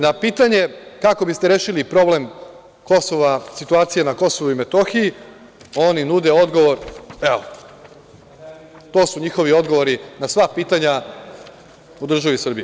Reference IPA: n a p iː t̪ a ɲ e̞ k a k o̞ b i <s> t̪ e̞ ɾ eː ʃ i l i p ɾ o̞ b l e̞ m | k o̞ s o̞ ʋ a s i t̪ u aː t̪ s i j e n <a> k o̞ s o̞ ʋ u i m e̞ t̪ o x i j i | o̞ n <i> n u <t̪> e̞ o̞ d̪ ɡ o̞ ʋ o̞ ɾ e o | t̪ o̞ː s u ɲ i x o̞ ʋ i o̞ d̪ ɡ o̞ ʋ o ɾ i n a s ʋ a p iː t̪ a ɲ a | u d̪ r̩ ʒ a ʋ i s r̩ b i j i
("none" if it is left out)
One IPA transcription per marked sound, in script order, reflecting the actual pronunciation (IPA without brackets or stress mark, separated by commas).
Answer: s, a, i, d̪